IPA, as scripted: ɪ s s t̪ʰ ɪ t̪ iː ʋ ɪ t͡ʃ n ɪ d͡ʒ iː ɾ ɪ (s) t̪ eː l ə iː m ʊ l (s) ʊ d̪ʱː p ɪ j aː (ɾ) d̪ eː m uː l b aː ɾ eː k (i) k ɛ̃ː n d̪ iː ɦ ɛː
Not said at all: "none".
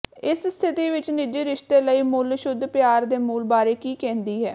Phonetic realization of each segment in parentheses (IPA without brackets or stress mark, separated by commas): ʃ, ʃ, ɾ, iː